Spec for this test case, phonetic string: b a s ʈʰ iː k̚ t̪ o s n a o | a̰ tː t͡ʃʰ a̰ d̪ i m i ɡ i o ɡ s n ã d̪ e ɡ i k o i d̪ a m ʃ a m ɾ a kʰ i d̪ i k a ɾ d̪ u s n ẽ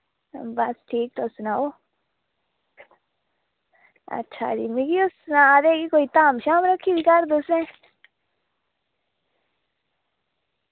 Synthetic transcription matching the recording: b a s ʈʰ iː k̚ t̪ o s n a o | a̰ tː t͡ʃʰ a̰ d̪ i m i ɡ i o s n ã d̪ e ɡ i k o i t̪ a m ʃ a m ɾ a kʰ i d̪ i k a ɾ d̪ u s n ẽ